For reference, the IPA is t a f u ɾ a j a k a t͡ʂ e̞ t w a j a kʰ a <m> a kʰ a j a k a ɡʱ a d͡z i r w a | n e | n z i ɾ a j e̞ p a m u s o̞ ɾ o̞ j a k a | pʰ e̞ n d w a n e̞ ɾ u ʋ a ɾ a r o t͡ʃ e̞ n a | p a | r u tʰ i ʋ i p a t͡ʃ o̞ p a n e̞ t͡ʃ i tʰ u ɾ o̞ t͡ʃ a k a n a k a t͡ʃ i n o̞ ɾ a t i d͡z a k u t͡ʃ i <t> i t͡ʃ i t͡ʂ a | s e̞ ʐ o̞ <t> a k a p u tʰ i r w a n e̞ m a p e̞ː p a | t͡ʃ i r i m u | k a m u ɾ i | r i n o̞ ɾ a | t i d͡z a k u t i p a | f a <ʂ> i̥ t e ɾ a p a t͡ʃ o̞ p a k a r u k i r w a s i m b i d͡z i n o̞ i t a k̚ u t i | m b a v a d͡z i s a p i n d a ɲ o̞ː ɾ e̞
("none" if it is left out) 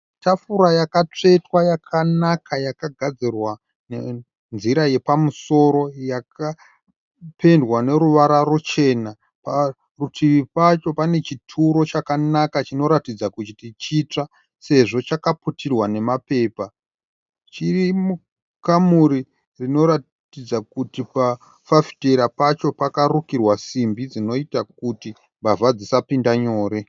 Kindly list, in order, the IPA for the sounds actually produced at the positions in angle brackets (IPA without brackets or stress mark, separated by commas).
n, t, t͡ʃ, f